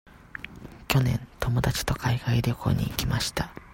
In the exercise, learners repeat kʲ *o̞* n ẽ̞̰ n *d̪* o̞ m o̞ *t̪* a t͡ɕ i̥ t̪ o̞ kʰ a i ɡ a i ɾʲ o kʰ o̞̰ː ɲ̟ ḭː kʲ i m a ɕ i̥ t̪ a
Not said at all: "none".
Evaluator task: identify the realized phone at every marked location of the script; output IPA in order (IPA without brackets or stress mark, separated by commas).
o̞, t̪, d̪